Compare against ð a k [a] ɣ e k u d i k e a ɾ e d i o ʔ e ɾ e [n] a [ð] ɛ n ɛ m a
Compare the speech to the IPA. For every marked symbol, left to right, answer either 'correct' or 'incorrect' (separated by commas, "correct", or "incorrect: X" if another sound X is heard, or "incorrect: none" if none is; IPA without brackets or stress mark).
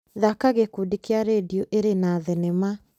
correct, correct, correct